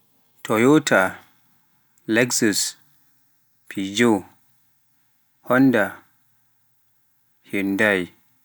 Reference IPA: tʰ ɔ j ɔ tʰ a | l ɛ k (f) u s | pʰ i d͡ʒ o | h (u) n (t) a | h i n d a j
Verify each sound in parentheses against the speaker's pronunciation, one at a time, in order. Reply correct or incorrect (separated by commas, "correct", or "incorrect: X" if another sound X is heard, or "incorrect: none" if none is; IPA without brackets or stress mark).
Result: incorrect: s, incorrect: ɔ, incorrect: d